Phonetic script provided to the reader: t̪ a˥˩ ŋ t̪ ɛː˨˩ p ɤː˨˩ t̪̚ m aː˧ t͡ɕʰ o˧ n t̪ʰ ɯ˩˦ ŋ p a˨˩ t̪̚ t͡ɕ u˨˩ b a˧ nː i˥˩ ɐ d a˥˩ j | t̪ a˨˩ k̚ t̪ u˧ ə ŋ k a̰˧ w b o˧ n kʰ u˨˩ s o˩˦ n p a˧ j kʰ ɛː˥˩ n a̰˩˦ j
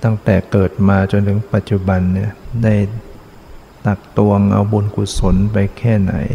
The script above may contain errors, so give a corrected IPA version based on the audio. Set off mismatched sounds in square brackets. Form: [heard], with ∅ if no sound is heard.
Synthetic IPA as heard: t̪ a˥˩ ŋ t̪ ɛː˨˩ [k] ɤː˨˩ t̪̚ m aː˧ [t͡ɕ] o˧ n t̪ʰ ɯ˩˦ ŋ p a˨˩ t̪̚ t͡ɕ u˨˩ b a˧ nː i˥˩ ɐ d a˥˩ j | t̪ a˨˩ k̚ t̪ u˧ ə ŋ [ʔ] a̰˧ w b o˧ n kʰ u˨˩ s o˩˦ n p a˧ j kʰ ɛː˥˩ n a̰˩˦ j